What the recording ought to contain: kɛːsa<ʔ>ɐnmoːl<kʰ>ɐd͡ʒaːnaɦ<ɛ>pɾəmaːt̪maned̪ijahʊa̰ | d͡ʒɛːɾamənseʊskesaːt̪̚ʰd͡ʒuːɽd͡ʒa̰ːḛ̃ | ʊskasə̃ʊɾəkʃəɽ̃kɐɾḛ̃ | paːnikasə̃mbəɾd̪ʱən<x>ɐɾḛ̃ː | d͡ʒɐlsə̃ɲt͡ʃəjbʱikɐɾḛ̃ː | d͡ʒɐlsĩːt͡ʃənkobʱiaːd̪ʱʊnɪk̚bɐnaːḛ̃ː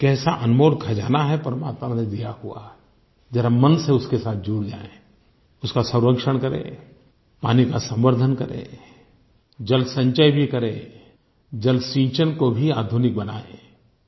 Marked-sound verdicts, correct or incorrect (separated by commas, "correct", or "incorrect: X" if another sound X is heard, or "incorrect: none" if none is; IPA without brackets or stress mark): correct, correct, correct, incorrect: k